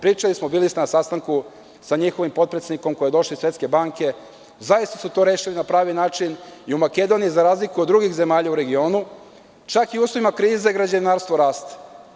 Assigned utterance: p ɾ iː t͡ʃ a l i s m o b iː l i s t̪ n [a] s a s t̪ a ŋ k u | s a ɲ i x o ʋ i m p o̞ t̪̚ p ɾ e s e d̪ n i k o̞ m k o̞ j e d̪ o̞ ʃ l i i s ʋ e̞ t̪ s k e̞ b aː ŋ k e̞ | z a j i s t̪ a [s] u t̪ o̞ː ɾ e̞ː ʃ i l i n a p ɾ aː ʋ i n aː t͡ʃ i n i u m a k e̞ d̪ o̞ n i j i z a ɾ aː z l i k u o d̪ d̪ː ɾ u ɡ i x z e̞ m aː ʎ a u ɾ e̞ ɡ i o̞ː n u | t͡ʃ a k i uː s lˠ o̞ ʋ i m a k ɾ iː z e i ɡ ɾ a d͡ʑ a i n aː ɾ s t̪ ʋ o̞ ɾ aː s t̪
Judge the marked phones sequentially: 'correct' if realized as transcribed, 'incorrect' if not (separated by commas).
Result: correct, correct